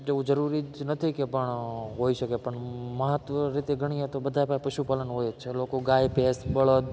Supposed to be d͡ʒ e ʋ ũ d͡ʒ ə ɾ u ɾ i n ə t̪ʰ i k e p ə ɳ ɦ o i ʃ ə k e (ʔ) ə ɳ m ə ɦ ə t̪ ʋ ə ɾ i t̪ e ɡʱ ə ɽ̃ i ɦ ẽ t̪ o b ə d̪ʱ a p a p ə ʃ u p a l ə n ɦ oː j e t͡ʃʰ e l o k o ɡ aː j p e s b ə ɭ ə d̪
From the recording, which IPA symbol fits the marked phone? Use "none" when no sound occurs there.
p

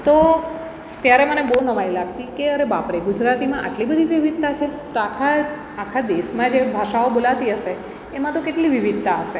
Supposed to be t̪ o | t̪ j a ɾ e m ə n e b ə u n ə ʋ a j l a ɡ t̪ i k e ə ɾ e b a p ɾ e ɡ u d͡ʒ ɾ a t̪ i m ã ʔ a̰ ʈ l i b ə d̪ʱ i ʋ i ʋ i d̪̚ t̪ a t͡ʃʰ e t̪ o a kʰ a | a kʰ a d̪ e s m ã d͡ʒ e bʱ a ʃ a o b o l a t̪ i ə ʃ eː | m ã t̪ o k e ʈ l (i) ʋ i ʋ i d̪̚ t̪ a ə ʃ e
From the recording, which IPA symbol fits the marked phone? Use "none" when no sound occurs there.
i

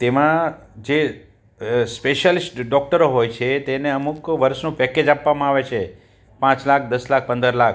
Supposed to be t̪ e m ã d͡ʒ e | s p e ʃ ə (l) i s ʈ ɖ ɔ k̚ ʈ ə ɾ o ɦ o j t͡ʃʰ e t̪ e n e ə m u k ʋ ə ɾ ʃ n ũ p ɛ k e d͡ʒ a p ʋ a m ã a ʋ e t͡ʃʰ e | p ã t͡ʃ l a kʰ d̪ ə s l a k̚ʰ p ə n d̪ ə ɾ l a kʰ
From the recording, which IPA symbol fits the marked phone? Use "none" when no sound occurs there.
l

